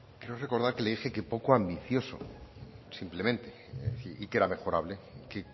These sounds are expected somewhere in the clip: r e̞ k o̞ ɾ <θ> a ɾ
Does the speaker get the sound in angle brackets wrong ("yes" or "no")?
yes